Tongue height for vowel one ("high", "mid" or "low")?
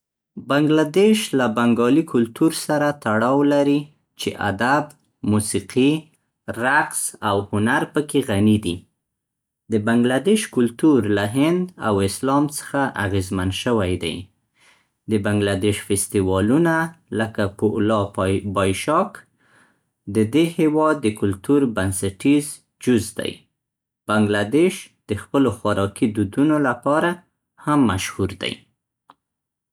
low